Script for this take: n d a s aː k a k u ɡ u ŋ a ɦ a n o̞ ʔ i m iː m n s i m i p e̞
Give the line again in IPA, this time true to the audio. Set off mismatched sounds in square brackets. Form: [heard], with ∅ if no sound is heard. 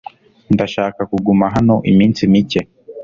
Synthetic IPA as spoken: n d a [ʃ] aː k a k u ɡ u [m] a ɦ a n o̞ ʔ i m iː [∅] n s i m i [c] e̞